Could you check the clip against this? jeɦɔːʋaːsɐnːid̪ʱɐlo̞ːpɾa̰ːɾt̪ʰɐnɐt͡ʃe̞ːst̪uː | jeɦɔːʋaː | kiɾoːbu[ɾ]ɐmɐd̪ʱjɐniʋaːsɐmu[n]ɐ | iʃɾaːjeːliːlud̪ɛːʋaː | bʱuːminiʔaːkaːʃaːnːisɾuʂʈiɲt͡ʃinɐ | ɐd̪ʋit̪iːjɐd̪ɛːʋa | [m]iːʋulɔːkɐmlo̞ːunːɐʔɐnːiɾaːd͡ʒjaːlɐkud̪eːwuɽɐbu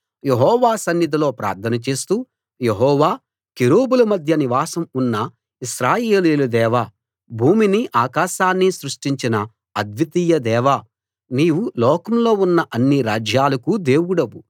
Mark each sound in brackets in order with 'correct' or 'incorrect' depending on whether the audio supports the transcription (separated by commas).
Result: incorrect, incorrect, incorrect